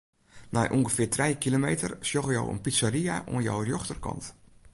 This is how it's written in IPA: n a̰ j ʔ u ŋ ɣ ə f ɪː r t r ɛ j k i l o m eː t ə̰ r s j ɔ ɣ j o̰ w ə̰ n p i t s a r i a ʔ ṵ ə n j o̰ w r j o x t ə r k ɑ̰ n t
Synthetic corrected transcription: n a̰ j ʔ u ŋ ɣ ə f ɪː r t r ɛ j k i l o m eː t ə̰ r s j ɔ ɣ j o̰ w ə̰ n p i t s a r i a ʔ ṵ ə n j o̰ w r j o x t ə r k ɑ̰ n t